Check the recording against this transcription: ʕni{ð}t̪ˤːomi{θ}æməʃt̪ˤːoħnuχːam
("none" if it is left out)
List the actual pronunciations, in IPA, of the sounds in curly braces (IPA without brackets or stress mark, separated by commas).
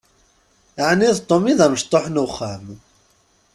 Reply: ð, ð